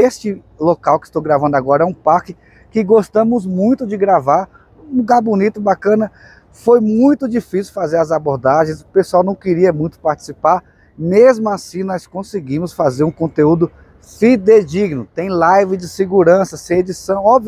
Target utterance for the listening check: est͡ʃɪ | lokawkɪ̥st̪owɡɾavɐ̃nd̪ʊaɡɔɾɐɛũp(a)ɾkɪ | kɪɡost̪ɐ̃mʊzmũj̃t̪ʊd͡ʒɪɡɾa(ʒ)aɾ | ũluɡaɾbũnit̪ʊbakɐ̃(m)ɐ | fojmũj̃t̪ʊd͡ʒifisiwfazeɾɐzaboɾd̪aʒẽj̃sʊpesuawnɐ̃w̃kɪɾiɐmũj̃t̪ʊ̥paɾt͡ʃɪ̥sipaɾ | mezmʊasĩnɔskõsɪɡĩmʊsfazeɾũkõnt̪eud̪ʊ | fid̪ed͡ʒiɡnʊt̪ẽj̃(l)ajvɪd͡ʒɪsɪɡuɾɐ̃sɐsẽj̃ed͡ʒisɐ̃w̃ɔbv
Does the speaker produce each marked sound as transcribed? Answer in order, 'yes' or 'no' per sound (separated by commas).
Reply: yes, no, no, yes